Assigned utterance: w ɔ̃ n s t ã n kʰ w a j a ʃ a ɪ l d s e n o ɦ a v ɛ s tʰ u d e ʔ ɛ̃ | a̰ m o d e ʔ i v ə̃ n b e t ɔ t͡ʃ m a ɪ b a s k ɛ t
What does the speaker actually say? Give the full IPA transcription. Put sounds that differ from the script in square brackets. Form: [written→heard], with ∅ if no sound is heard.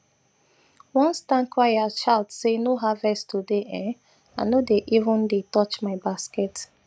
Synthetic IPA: w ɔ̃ n s t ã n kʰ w a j a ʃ a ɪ l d s e n o ɦ a v ɛ s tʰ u d e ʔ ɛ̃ | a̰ [m→n] o d e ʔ i v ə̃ n [b→d] e t ɔ t͡ʃ m a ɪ b a s k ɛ t

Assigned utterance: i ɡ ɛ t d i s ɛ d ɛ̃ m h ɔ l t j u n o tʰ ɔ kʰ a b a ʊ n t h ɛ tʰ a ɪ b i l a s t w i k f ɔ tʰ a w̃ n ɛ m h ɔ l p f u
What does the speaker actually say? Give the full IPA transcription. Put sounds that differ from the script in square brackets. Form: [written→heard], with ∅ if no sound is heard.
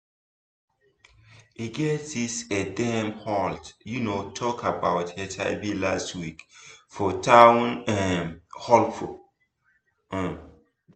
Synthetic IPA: i ɡ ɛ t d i s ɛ d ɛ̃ m h ɔ l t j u n o tʰ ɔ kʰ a b a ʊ [n→∅] t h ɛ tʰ a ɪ b i l a s t w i k f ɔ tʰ a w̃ n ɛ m h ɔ l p f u

